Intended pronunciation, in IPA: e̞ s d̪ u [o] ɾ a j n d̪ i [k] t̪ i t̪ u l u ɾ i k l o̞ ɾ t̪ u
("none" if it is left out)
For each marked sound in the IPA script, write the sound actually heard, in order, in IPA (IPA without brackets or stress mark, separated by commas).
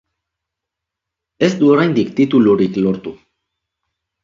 o, k